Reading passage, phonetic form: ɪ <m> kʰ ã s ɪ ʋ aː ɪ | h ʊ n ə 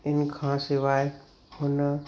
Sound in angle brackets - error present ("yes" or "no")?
yes